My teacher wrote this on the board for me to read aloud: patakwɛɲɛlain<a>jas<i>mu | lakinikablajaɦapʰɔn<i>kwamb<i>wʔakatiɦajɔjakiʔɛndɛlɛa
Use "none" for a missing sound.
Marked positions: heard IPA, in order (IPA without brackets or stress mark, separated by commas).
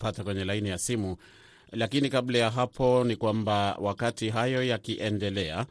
i, i, i, a